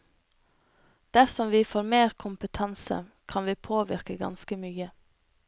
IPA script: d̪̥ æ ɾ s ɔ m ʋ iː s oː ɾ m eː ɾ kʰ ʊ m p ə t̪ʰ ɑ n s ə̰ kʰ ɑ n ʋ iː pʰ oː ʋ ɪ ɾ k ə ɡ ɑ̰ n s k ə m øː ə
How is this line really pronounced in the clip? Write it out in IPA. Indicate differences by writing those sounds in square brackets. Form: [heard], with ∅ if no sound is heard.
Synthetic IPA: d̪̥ æ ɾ s ɔ m ʋ iː [f] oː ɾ m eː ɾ kʰ ʊ m p ə t̪ʰ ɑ n s ə̰ kʰ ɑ n ʋ iː pʰ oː ʋ ɪ ɾ k ə ɡ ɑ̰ n s k ə m [yː] ə

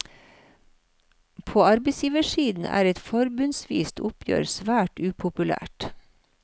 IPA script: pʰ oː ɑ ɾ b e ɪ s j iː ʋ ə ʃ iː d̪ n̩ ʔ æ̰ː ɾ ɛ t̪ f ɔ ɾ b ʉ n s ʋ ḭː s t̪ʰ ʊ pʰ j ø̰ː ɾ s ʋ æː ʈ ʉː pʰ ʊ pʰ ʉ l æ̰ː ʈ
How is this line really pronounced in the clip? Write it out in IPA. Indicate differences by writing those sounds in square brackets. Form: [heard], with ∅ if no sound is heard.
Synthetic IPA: pʰ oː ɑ ɾ b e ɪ s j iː ʋ ə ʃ iː d̪ n̩ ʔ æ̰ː ɾ ɛ t̪ f ɔ ɾ b ʉ n s ʋ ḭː s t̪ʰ ʊ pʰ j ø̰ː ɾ s ʋ æː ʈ ʉː pʰ ʊ [p] ʉ l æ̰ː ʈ

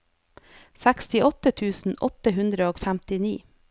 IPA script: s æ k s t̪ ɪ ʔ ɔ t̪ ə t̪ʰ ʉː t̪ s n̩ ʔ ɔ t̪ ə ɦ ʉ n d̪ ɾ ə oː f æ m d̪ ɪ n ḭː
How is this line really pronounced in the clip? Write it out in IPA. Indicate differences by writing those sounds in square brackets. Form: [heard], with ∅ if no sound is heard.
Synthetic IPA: s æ k s t̪ ɪ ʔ ɔ t̪ ə t̪ʰ ʉː [∅] s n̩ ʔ ɔ t̪ ə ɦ ʉ n d̪ ɾ ə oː f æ m [t̪] ɪ n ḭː

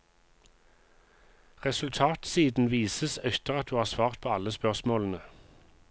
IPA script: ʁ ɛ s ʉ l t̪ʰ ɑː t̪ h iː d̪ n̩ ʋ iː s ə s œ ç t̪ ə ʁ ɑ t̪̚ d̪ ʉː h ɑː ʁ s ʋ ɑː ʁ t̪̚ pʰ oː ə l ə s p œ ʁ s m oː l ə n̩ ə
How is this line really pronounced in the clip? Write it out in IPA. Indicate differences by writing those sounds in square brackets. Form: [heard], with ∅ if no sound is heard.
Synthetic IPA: ʁ ɛ s ʉ l t̪ʰ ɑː t̪ [s] iː d̪ n̩ ʋ iː s ə s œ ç t̪ ə ʁ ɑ t̪̚ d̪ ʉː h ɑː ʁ s ʋ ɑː ʁ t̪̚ pʰ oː [ɑ] l ə s p œ ʁ s m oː l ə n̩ ə

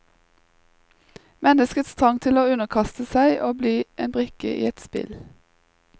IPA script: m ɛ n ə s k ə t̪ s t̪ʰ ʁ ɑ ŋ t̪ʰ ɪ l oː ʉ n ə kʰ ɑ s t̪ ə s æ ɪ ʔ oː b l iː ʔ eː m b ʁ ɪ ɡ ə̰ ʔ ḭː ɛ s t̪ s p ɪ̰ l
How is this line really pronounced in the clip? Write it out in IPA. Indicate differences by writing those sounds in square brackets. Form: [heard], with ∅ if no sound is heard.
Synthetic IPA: m ɛ n ə s k ə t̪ s t̪ʰ ʁ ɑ ŋ t̪ʰ ɪ l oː ʉ n ə kʰ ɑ s t̪ ə s æ ɪ ʔ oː b l iː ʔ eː [n] b ʁ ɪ [k] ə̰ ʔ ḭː ɛ [∅] t̪ s p ɪ̰ l

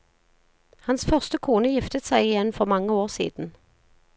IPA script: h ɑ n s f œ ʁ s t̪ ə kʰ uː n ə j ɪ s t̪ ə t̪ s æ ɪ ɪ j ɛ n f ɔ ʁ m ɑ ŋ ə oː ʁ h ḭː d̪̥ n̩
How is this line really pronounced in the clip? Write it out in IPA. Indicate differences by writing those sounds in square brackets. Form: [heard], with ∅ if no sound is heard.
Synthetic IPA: h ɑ n s f œ ʁ s t̪ ə kʰ uː n ə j ɪ [f] t̪ ə t̪ s æ ɪ ɪ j ɛ n f ɔ ʁ m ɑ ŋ ə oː ʁ [s] ḭː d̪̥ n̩

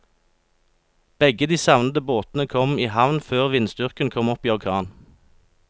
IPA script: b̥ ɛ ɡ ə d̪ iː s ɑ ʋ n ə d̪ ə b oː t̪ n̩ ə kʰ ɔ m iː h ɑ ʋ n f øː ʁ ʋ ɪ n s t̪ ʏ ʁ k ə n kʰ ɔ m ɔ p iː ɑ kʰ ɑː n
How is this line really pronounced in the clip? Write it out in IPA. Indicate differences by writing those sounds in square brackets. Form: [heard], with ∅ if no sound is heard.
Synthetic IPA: b̥ ɛ ɡ ə d̪ iː s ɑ ʋ n ə d̪ ə b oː t̪ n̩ ə kʰ ɔ m iː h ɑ ʋ n f øː ʁ ʋ ɪ n s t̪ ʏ ʁ k ə n kʰ ɔ m ɔ p iː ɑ kʰ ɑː n

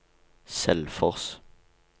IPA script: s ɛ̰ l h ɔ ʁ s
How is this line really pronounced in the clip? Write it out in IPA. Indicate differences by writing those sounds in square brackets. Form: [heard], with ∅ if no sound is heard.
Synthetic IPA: s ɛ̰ l [f] ɔ ʁ s

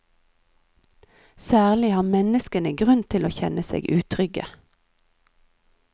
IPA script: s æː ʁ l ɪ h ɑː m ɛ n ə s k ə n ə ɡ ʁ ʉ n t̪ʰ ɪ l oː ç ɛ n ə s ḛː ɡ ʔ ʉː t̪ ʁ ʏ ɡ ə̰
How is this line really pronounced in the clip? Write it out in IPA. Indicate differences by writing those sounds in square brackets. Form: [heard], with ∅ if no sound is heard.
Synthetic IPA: s æː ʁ l ɪ h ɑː m ɛ n ə s k ə n ə ɡ ʁ ʉ n t̪ʰ ɪ l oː ç ɛ n ə s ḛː ɡ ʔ ʉː [t̪ʰ] ʁ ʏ ɡ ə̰

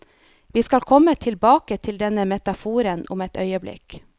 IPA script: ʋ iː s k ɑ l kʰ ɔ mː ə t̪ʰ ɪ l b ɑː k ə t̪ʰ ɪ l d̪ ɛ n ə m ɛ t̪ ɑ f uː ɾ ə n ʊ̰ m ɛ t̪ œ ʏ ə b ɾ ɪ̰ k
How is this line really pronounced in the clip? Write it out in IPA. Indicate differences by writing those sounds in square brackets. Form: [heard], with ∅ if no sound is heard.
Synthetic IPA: ʋ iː s k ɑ l kʰ ɔ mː ə t̪ʰ ɪ l b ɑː k ə t̪ʰ ɪ l d̪ ɛ n ə m ɛ t̪ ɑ f uː ɾ ə n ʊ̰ m ɛ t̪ œ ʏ ə b [l] ɪ̰ k

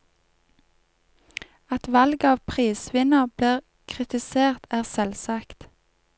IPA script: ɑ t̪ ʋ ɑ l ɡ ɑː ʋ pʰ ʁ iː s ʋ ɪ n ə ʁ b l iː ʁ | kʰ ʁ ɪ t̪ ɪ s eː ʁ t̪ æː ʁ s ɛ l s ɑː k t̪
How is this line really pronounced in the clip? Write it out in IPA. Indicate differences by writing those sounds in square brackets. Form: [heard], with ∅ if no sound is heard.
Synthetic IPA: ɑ t̪ ʋ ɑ l ɡ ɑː ʋ pʰ ʁ iː s ʋ ɪ n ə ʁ b l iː ʁ | kʰ ʁ ɪ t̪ ɪ s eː ʁ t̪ æː ʁ s ɛ l s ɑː k t̪

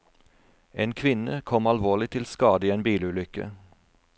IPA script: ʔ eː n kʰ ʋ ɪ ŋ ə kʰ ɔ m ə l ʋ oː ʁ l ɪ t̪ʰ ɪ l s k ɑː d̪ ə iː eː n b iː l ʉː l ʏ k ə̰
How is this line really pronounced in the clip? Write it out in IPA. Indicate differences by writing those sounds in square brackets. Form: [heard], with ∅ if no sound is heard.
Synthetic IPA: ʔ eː n kʰ ʋ ɪ [n] ə kʰ ɔ m [ɑ] l ʋ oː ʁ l ɪ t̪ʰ ɪ l s k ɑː d̪ ə iː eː n b iː l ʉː l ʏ k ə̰

